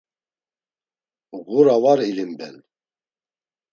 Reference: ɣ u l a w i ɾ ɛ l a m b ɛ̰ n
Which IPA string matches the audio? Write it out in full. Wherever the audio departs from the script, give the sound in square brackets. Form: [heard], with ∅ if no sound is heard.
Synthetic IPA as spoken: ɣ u [ɾ] a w [a] ɾ [i] l [i] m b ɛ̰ n